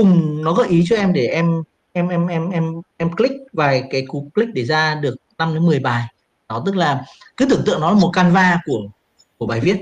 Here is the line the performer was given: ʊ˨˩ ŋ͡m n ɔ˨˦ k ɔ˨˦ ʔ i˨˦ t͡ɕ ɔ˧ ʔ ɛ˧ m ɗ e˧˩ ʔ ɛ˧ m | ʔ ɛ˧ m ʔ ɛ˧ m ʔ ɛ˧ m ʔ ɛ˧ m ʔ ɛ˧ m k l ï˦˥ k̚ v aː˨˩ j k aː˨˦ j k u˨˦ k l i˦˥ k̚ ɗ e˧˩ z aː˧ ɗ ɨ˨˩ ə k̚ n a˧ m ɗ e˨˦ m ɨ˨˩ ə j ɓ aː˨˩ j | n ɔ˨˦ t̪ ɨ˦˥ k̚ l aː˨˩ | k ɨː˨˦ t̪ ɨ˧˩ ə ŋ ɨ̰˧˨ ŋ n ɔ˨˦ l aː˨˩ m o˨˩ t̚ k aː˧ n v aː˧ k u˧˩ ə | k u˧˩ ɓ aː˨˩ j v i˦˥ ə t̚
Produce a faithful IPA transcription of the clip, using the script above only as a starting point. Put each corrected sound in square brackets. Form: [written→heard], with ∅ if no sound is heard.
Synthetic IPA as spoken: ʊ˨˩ ŋ͡m n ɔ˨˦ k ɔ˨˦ ʔ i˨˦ t͡ɕ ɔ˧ ʔ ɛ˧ m ɗ e˧˩ ʔ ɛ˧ m | ʔ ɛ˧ m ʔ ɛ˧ m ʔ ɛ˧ m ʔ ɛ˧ m ʔ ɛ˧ m k l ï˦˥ k̚ v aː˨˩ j k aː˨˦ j k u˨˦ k l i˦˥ k̚ ɗ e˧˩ z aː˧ ɗ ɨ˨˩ ə k̚ n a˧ m ɗ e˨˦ m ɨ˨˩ ə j ɓ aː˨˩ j | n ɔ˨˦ t̪ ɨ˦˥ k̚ l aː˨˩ | k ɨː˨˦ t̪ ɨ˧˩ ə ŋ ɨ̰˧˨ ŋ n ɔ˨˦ l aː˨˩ m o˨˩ t̚ k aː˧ n v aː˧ k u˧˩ ə | k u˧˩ ɓ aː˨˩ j v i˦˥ ə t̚